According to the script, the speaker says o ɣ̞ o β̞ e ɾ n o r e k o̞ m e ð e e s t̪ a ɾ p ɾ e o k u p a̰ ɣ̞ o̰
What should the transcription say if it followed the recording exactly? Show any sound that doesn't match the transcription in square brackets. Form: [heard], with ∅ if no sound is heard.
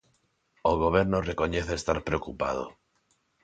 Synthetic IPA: o ɣ̞ o β̞ e ɾ n o r e k o̞ [ɲ] e [θ] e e s t̪ a ɾ p ɾ e o k u p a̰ [ð̞] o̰